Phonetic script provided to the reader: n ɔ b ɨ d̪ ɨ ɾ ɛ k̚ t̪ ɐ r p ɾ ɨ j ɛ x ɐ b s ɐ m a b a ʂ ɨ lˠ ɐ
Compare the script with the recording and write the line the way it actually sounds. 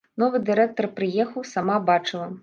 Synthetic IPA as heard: n ɔ v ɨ d̪ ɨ ɾ ɛ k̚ t̪ ɐ r p ɾ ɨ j ɛ x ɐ w s a m a b a t͡ʂ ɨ lˠ ɐ

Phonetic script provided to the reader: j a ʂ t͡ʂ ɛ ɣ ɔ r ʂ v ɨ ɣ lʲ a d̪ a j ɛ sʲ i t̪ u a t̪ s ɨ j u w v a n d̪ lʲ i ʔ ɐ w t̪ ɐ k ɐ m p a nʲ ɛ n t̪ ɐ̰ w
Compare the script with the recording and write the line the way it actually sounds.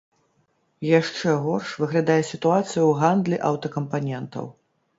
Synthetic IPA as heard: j a ʂ t͡ʂ ɛ ɣ ɔ r ʂ v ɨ ɣ lʲ a d̪ a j ɛ sʲ i t̪ u a t̪ s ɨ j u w ɣ a n d̪ lʲ i ʔ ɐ w t̪ ɐ k ɐ m p a nʲ ɛ n t̪ ɐ̰ w

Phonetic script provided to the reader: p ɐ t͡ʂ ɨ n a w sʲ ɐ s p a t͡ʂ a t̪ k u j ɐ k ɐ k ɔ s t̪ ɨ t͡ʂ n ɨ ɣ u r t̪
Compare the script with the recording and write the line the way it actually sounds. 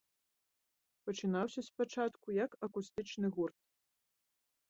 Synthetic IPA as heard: p ɐ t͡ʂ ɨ n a w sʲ ɐ s p a t͡ʂ a t̪ k u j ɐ k ɐ k u s t̪ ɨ t͡ʂ n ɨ ɣ u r t̪

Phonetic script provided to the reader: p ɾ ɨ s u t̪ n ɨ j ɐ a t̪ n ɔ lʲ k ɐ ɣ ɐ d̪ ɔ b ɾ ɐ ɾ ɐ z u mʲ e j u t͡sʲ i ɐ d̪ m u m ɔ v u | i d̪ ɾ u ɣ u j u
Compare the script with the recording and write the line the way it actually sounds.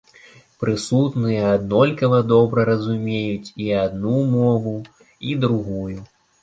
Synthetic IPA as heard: p ɾ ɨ s u t̪ n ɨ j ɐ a d̪ n ɔ lʲ k ɐ v ɐ d̪ ɔ b ɾ ɐ ɾ ɐ z u mʲ e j u t͡sʲ i a d̪ n u m ɔ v u | i d̪ ɾ u ɣ u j u

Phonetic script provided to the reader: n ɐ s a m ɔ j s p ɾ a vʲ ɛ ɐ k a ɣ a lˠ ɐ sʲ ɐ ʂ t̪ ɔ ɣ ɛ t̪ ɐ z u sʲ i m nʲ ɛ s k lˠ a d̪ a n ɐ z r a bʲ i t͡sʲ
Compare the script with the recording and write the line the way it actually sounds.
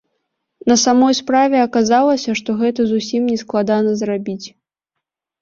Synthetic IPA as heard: n ɐ s a m ɔ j s p ɾ a vʲ ɛ ɐ k a z a lˠ ɐ sʲ ɐ ʂ t̪ ɔ ɣ ɛ t̪ ɐ z u sʲ i m nʲ ɛ s k lˠ a d̪ a n ɐ z r a bʲ i t͡sʲ

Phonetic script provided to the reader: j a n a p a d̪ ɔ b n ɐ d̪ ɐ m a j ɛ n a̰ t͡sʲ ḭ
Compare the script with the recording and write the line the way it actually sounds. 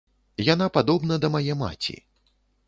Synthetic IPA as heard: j a n a p a d̪ ɔ b n ɐ d̪ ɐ m a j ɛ m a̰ t͡sʲ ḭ

